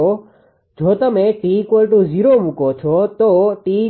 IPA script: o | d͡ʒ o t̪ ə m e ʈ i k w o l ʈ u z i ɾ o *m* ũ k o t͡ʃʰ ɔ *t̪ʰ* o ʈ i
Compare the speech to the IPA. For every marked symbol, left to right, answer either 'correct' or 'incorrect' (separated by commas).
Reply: correct, incorrect